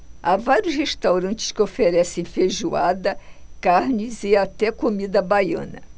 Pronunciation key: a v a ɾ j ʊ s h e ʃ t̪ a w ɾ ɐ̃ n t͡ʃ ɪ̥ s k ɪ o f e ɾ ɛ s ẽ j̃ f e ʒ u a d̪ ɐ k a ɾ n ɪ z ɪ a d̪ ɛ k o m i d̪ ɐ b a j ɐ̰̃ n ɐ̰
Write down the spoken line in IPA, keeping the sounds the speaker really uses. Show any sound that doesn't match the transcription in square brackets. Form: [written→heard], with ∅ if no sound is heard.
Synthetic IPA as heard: a v a ɾ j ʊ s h e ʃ t̪ a w ɾ ɐ̃ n t͡ʃ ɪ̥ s k ɪ o f e ɾ ɛ s ẽ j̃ f e ʒ u a d̪ ɐ k a ɾ n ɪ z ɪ a [d̪→t̪] ɛ k o m i d̪ ɐ b a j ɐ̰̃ n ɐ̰

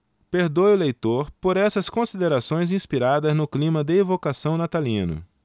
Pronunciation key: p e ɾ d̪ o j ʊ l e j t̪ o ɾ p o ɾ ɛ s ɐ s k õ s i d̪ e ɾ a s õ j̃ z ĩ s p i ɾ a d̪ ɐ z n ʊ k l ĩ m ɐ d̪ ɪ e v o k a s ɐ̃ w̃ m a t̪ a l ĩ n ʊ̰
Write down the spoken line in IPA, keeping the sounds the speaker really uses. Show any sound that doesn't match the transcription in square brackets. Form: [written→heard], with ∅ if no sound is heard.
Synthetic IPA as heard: p e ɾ d̪ o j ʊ l e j t̪ o ɾ p o ɾ ɛ s ɐ s k õ s i d̪ e ɾ a s õ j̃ z ĩ s p i ɾ a d̪ ɐ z n ʊ k l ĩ m ɐ d̪ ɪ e v o k a s ɐ̃ w̃ [m→n] a t̪ a l ĩ n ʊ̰

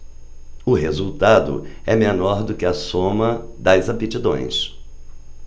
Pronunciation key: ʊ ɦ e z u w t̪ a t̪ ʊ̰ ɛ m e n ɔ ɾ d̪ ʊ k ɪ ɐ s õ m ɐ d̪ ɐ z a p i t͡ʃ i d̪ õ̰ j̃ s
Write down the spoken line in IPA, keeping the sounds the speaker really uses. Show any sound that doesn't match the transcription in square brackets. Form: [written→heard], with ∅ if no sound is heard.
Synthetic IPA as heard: ʊ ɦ e z u w t̪ a [t̪→d̪] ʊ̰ ɛ m e n ɔ ɾ d̪ ʊ k ɪ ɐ s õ m ɐ d̪ ɐ z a p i t͡ʃ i d̪ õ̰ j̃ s

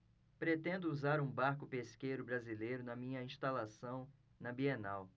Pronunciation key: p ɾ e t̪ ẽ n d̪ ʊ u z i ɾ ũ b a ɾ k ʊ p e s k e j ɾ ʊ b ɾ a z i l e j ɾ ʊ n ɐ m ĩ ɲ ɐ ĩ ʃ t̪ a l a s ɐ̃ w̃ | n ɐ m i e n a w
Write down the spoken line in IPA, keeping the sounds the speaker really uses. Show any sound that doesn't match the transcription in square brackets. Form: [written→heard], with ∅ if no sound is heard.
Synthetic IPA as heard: p ɾ e t̪ ẽ n d̪ ʊ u z [i→a] ɾ ũ b a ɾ k ʊ p e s k e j ɾ ʊ b ɾ a z i l e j ɾ ʊ n ɐ m ĩ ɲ ɐ ĩ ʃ t̪ a l a s ɐ̃ w̃ | n ɐ [m→b] i e n a w

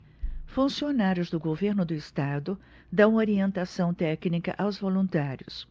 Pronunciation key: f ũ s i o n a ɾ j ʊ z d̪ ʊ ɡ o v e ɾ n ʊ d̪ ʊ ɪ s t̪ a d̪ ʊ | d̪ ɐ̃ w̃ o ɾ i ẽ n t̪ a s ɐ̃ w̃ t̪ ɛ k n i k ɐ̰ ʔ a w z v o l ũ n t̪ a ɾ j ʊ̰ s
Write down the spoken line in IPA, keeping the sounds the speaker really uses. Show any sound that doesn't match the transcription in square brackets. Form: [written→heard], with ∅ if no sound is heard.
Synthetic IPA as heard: f ũ s i o n a ɾ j ʊ z d̪ ʊ ɡ o v e ɾ n ʊ d̪ ʊ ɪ s t̪ a d̪ ʊ | d̪ ɐ̃ w̃ o ɾ i ẽ n t̪ a s ɐ̃ w̃ t̪ ɛ k n i k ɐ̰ ʔ a w z v o l ũ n t̪ a ɾ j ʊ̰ s

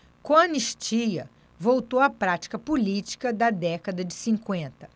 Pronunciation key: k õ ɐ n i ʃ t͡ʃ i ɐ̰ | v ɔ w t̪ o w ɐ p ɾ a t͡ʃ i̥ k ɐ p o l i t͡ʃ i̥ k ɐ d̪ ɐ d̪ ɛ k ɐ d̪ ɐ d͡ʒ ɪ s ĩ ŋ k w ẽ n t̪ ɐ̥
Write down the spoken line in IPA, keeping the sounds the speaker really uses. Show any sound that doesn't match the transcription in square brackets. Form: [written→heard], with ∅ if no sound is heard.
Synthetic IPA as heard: k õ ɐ n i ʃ t͡ʃ i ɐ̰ | v [ɔ→o] w t̪ o w ɐ p ɾ a t͡ʃ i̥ k ɐ p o l i t͡ʃ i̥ k ɐ d̪ ɐ d̪ ɛ k ɐ d̪ ɐ d͡ʒ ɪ s ĩ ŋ k w ẽ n t̪ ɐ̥

